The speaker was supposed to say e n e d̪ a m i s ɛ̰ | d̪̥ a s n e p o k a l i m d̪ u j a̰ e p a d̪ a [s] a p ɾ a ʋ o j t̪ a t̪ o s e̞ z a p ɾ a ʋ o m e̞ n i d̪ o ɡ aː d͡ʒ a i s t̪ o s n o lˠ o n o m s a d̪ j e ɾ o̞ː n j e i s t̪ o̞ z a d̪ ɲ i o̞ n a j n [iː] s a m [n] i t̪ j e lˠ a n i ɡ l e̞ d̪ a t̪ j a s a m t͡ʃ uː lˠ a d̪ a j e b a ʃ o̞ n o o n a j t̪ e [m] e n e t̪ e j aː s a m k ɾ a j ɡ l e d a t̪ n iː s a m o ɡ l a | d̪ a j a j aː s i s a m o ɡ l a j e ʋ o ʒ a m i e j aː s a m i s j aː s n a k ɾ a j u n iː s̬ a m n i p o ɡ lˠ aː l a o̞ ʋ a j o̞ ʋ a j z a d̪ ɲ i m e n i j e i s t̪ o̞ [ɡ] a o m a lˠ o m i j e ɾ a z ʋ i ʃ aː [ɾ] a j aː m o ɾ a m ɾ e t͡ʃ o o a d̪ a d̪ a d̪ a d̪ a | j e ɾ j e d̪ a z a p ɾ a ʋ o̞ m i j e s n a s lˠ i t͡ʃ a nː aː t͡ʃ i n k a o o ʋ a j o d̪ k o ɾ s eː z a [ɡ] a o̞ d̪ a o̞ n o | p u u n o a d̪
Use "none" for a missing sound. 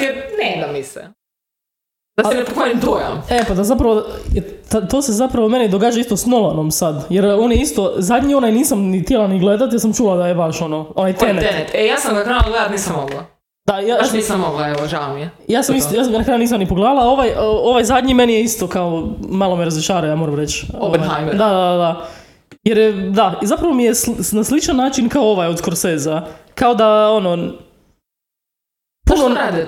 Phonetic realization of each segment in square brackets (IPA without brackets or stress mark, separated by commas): z, iː, n, n, k, ɾ, k